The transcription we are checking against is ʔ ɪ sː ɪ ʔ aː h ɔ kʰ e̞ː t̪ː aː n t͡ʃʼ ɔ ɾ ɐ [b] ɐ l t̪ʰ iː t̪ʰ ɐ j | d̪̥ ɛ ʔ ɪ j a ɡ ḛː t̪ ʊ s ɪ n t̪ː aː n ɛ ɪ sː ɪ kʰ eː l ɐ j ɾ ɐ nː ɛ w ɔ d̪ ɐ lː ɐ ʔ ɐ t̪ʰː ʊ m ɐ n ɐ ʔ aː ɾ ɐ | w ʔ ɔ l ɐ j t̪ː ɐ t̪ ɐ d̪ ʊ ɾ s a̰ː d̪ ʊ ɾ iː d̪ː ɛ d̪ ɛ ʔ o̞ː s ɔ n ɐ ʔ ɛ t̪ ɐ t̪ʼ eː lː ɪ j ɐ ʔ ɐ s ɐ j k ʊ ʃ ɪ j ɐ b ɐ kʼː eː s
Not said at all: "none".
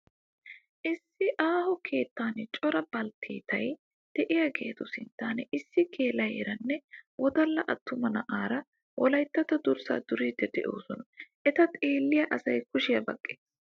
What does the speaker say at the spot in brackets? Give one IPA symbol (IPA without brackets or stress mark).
b